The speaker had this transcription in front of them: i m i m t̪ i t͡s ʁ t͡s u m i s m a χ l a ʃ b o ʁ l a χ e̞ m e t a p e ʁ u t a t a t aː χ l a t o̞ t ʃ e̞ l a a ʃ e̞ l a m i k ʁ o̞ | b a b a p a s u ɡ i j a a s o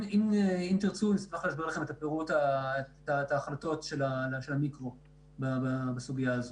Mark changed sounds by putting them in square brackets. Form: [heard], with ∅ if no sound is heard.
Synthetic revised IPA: i m i m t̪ i [∅] ʁ t͡s u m i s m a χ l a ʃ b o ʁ l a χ e̞ m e t a p e ʁ u t a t a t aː χ l a t o̞ t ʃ e̞ l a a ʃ e̞ l a m i k ʁ o̞ | b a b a [b] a s u ɡ i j a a [z] o

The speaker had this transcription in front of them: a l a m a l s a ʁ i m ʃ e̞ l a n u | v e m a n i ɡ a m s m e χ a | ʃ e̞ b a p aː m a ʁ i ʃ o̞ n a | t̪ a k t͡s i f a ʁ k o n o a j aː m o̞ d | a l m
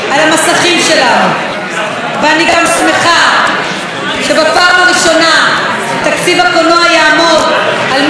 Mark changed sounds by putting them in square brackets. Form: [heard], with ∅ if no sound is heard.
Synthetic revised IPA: a l a m a [∅] s a [χ] i m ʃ e̞ l a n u | v e [∅] a n i ɡ a m s m e χ a | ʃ e̞ b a p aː m a ʁ i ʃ o̞ n a | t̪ a k t͡s i [v] a [∅] k o n o a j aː m o̞ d | a l m

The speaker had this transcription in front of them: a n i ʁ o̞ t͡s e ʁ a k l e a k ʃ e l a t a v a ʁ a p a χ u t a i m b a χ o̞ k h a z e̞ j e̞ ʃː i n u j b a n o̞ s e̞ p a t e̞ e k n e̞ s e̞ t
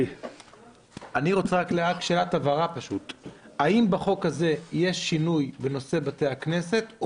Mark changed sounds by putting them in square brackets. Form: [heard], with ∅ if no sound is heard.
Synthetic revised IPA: a n i ʁ o̞ t͡s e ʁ a k l e a k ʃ e l a t a v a ʁ a p a [ʃ] u t a i m b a χ o̞ k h a z e̞ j e̞ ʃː i n u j b [e] n o̞ s e̞ [b] a t e̞ [a] k n e̞ s e̞ t

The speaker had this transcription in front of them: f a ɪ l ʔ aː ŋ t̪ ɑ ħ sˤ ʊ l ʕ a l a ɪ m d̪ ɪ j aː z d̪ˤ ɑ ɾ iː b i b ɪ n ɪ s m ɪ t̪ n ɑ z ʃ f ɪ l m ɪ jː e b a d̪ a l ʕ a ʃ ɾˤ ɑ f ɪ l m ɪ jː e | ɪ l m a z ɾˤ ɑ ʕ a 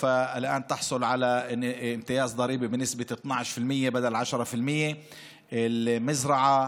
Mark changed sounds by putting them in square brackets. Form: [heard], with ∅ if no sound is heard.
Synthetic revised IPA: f a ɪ l ʔ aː [n] t̪ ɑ ħ sˤ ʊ l ʕ a l a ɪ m [t̪] ɪ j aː z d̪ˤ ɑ ɾ iː b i b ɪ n ɪ s [b] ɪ t̪ n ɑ [ʕ] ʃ f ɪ l m ɪ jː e b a d̪ a l ʕ a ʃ ɾˤ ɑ f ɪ l m ɪ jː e | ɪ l m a z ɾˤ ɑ ʕ a

